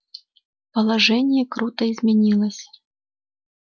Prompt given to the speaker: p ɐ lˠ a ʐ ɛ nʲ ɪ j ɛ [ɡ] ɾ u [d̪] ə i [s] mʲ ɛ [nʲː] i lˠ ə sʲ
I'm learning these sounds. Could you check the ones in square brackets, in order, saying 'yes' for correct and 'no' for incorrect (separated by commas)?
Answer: no, no, no, no